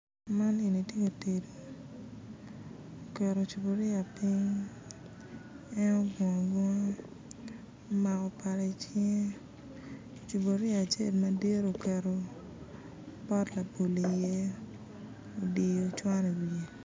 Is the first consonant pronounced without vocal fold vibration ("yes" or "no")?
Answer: no